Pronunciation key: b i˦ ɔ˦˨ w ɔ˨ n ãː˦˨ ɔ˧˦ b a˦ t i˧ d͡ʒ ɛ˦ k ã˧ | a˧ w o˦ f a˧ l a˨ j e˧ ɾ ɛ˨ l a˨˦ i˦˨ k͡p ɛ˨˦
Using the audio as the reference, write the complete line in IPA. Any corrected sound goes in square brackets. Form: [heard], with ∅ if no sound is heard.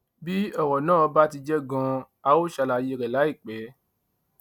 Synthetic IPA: b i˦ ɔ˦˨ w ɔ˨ n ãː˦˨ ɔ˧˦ b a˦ t i˧ d͡ʒ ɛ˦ [ɡ] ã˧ | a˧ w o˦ [ʃ] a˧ l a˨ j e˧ ɾ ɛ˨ l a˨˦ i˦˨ k͡p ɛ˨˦